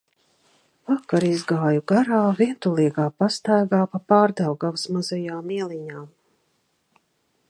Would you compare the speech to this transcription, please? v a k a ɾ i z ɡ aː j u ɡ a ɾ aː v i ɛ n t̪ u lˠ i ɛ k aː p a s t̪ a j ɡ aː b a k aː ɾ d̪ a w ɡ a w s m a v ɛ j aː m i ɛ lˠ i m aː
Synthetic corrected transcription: v a k a ɾ i z ɡ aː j u ɡ a ɾ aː v i ɛ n t̪ u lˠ i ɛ ɡ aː p a s t̪ a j ɡ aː p a p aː ɾ d̪ a w ɡ a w s m a z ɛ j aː m i ɛ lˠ i ɲ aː